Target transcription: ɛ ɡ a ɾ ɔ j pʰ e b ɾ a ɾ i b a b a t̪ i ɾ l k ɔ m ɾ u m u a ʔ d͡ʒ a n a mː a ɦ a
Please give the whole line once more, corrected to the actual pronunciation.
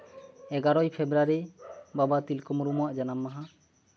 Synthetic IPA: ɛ ɡ a ɾ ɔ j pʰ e b ɾ a ɾ i b a b a t̪ i l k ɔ m ɾ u m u a ʔ d͡ʒ a n a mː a ɦ a